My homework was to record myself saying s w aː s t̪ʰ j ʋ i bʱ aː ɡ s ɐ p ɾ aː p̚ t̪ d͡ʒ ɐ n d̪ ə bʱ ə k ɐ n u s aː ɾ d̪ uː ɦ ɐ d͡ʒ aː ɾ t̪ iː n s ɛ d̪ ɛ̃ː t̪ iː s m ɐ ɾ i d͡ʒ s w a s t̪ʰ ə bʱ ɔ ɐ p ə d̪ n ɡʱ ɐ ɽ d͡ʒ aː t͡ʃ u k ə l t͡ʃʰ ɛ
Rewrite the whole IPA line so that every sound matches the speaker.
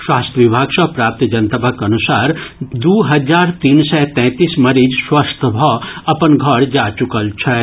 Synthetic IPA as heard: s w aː s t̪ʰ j ʋ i bʱ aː ɡ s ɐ p ɾ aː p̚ t̪ d͡ʒ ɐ n t̪ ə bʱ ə k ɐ n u s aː ɾ d̪ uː ɦ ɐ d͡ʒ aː ɾ t̪ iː n s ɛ t̪ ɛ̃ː t̪ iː s m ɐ ɾ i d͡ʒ s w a s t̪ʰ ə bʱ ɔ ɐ p ə n ɡʱ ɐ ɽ d͡ʒ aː t͡ʃ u k ə l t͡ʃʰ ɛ